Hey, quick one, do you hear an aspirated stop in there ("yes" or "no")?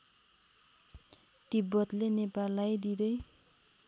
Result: no